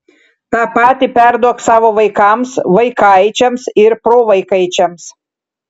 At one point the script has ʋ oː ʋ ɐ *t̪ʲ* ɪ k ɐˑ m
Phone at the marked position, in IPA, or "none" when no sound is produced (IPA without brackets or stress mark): none